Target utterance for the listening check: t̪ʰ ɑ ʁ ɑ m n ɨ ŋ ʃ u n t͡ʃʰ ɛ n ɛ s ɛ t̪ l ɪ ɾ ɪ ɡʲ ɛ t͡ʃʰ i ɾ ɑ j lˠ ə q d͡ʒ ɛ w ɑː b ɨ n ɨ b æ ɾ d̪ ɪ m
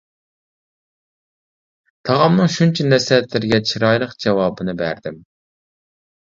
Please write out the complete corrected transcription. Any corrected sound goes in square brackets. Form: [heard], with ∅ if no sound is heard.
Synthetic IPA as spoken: t̪ʰ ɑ ʁ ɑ m n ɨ ŋ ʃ u n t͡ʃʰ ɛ n ɛ s ɛ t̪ l ɪ ɾ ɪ ɡʲ ɛ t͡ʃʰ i ɾ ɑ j lˠ ə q d͡ʒ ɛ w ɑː b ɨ n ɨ b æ ɾ d̪ ɪ m